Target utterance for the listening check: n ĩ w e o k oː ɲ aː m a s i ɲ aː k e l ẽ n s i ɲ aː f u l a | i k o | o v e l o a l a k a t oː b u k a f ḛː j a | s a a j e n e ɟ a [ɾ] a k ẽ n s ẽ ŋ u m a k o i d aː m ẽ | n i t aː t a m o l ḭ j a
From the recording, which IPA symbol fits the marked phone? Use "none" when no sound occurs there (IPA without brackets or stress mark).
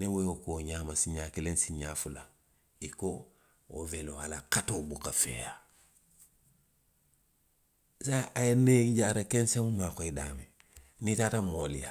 ɾ